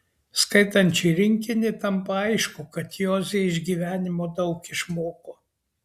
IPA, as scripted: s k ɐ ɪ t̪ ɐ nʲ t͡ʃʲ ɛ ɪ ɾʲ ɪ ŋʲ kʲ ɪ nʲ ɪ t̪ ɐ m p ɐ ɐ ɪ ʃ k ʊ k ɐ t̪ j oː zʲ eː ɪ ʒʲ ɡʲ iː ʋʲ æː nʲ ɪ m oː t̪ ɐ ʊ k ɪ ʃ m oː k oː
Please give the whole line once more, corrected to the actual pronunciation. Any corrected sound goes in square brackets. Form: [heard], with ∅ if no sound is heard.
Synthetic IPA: s k ɐ ɪ t̪ ɐ nʲ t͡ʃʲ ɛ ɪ ɾʲ ɪ ŋʲ kʲ ɪ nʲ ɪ t̪ ɐ m p ɐ ɐ ɪ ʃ k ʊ k ɐ t̪ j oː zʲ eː ɪ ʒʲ ɡʲ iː ʋʲ æː nʲ ɪ m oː [d̪] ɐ ʊ k ɪ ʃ m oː k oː